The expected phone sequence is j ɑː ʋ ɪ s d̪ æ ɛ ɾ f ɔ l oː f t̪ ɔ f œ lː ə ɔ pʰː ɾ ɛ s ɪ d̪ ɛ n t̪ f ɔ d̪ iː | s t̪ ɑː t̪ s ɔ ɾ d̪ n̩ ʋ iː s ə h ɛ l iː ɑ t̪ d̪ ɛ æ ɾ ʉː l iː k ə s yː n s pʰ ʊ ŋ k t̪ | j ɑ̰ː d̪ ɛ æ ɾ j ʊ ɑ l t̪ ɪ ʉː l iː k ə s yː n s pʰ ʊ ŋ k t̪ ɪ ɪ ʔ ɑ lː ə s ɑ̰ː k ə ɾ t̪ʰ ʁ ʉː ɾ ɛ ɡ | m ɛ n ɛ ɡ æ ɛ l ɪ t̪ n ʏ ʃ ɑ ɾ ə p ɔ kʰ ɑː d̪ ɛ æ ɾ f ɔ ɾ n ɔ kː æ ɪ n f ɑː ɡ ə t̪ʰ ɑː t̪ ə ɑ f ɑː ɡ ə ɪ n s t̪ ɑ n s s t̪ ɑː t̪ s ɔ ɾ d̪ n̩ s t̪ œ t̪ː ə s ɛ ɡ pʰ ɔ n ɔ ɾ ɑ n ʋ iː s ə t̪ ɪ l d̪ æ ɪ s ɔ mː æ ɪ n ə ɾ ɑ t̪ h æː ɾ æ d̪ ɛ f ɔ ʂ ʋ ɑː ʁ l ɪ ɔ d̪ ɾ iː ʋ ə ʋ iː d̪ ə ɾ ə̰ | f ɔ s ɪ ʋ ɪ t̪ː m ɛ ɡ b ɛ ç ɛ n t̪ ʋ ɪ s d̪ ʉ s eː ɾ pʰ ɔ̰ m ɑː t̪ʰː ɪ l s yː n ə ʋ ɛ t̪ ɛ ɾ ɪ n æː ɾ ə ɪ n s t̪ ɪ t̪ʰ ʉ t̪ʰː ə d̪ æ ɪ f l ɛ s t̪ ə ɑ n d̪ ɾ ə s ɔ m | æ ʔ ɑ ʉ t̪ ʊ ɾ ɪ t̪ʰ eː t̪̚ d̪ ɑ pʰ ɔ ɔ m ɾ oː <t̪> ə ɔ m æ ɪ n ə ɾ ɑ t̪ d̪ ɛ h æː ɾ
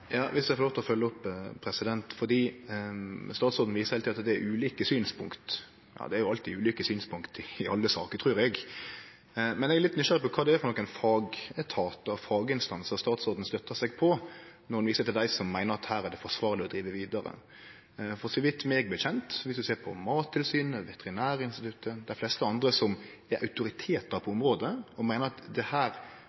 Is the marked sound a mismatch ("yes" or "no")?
yes